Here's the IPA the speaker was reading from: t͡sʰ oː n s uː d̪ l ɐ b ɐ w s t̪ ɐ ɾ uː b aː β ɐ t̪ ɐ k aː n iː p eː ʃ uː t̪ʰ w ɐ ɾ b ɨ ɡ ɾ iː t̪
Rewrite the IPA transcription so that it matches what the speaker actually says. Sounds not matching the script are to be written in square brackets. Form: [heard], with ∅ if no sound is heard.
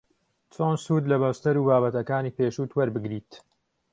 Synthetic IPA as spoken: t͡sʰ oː n s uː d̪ l ɐ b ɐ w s t̪ ɐ ɾ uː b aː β ɐ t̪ ɐ k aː n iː p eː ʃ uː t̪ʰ w ɐ ɾ b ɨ ɡ ɾ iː t̪